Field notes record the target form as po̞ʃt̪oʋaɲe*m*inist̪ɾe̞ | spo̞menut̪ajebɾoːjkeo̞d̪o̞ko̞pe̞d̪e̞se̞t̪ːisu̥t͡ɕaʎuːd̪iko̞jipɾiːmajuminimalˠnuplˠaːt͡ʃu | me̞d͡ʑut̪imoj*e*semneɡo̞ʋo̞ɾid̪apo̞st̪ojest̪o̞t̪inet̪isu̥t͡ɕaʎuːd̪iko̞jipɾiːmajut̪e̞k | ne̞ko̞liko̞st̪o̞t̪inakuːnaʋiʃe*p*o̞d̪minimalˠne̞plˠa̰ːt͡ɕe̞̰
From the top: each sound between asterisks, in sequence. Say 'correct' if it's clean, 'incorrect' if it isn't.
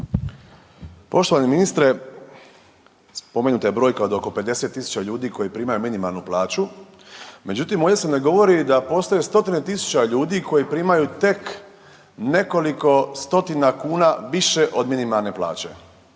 correct, correct, incorrect

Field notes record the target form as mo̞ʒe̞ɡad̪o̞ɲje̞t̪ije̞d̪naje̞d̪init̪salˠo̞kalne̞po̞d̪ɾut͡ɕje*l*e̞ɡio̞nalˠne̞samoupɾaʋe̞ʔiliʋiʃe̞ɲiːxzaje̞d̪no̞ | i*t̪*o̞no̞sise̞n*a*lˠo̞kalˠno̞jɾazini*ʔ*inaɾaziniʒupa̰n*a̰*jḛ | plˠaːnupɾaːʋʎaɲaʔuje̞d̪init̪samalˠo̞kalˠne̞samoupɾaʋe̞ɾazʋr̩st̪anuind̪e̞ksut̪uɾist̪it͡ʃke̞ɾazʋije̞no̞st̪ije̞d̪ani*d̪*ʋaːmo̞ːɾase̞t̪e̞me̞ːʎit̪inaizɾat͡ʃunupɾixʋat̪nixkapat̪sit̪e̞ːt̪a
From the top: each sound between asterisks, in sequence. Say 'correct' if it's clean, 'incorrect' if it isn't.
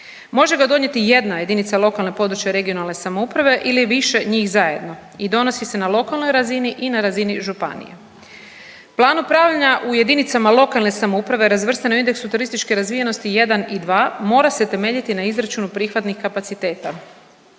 incorrect, incorrect, correct, correct, incorrect, correct

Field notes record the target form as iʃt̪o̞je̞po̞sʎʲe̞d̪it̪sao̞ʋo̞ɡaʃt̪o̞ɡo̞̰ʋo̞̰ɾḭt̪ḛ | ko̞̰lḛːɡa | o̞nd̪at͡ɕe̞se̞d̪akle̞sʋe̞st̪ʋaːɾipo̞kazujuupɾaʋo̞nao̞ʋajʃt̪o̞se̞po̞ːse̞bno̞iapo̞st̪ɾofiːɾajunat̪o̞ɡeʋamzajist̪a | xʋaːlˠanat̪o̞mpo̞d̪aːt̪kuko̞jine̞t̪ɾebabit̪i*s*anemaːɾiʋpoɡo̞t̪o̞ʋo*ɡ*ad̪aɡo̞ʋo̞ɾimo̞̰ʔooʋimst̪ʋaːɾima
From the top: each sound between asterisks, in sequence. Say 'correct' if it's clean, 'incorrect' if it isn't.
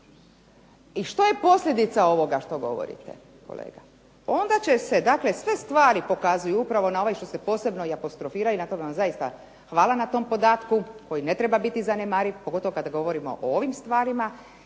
incorrect, incorrect

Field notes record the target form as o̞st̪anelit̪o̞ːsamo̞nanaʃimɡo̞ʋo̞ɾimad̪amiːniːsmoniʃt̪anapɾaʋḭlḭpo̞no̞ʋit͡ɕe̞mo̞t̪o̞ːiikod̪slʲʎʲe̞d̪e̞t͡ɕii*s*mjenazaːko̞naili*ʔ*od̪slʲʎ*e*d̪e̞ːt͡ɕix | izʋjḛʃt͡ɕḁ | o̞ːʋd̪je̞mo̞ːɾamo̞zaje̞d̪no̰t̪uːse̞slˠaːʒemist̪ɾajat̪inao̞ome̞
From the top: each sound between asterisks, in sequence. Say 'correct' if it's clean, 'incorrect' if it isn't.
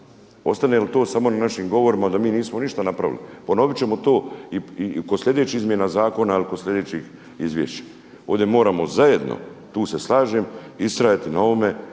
incorrect, incorrect, correct

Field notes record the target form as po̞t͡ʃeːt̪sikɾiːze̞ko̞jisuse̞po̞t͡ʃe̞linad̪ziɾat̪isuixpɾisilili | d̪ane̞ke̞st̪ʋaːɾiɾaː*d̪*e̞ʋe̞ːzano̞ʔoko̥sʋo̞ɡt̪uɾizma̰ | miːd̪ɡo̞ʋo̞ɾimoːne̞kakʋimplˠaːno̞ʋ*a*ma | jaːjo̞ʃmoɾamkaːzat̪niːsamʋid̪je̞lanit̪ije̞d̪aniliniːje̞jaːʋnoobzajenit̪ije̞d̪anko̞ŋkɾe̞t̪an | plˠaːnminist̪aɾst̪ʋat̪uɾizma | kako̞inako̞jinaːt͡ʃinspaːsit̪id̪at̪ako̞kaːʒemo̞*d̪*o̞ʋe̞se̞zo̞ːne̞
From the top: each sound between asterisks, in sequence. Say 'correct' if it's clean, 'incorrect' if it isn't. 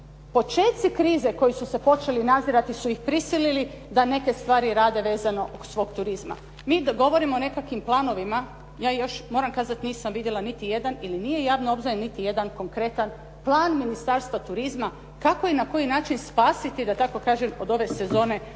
correct, incorrect, correct

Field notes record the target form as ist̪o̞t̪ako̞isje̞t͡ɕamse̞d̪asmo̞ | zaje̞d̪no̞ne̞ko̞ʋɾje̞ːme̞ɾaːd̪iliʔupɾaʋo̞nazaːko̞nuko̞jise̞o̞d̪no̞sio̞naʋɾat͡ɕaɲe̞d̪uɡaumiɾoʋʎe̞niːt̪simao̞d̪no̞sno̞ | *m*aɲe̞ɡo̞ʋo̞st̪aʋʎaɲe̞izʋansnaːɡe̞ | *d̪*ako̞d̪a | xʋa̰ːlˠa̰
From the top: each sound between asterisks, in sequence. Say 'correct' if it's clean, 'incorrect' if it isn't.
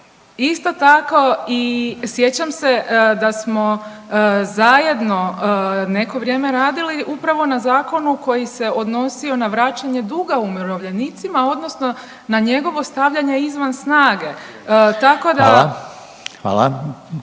incorrect, incorrect

